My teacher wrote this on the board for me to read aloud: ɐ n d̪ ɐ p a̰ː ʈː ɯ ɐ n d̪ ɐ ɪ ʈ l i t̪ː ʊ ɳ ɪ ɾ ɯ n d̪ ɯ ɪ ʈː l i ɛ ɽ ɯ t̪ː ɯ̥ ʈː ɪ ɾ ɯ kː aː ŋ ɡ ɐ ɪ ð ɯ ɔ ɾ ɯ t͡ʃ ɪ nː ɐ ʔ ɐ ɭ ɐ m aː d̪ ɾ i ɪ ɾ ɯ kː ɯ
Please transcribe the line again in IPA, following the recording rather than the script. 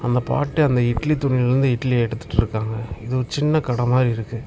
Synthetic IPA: ɐ n d̪ ɐ p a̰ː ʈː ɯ ɐ n d̪ ɐ ɪ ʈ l i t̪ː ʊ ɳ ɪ ɾ ɯ n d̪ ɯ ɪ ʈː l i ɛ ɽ ɯ t̪ː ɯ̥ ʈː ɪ ɾ ɯ kː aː ŋ ɡ ɐ ɪ ð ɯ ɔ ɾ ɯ t͡ʃ ɪ nː ɐ k ɐ ɽ ɐ m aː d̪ ɾ i ɪ ɾ ɯ kː ɯ